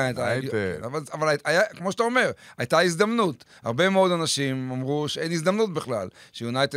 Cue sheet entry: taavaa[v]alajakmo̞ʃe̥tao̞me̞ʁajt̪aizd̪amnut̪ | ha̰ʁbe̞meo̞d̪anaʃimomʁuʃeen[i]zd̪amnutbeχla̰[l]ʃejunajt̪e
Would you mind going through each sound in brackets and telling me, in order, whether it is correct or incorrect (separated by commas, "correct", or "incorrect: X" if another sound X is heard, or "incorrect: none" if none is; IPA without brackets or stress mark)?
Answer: correct, correct, correct